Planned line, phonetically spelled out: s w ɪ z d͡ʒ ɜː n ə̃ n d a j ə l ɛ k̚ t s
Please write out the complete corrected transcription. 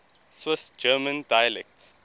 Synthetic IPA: s w ɪ s d͡ʒ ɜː m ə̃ n d a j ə l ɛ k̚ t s